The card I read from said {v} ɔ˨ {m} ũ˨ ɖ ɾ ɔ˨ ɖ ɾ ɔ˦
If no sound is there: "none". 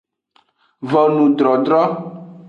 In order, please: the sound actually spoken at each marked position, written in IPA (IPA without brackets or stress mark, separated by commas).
v, n